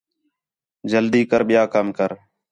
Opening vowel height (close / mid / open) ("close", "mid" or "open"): mid